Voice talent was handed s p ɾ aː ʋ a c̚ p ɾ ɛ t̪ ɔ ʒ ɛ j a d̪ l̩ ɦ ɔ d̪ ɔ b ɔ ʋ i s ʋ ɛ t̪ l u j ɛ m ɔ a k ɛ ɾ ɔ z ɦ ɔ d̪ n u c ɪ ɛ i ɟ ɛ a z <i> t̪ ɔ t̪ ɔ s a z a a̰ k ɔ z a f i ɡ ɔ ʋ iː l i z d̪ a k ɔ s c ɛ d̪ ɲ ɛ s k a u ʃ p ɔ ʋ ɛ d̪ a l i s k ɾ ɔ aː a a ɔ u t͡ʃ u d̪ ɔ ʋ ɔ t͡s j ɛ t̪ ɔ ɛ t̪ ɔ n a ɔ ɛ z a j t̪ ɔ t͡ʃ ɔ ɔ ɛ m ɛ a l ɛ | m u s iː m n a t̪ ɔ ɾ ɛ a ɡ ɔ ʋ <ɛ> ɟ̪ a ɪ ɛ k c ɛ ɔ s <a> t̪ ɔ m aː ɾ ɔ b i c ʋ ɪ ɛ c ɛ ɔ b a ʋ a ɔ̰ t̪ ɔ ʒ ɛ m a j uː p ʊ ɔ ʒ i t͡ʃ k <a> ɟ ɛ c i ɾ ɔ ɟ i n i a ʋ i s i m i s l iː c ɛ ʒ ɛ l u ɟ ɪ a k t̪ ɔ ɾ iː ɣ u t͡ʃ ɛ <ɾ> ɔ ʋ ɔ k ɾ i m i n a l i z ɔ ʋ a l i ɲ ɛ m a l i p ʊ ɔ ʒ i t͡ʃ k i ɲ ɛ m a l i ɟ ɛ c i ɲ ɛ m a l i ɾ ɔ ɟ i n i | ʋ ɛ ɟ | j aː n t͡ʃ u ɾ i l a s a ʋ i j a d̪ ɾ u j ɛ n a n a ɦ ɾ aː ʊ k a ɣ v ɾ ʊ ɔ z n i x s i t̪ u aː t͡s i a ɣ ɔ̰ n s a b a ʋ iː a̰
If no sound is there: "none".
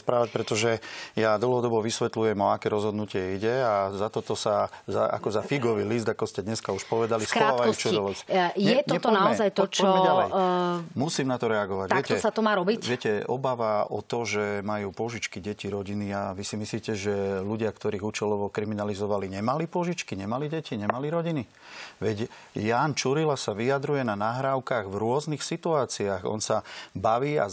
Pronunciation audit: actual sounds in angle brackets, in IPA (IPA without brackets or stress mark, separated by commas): a, a, a, i, l